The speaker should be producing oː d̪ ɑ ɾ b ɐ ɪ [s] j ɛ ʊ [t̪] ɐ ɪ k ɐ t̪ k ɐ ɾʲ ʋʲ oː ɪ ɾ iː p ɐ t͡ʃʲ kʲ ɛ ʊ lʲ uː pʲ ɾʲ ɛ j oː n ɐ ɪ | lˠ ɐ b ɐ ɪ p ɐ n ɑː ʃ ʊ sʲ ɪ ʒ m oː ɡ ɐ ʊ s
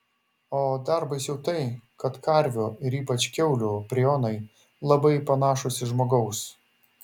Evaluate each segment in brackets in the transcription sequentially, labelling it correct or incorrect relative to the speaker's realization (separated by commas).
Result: correct, correct